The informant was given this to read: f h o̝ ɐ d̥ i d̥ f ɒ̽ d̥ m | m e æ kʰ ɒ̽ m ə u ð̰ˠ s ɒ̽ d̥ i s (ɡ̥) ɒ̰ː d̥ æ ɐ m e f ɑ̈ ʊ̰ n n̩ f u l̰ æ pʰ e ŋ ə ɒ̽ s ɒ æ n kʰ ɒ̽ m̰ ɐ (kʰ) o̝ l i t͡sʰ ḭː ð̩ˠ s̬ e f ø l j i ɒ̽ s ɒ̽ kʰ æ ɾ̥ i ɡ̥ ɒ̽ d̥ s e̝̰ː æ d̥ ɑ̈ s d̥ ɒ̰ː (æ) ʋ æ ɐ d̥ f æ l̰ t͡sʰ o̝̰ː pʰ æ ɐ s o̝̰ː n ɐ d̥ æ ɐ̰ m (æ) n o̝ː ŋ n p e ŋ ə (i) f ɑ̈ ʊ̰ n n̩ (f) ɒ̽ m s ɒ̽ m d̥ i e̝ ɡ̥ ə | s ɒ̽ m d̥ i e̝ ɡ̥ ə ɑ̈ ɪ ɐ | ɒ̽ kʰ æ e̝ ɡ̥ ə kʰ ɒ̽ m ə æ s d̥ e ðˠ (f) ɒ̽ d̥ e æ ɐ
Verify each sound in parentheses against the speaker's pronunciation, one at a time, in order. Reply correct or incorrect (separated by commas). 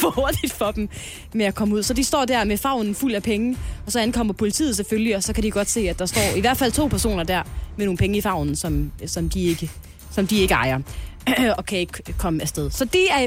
incorrect, incorrect, incorrect, incorrect, correct, incorrect, incorrect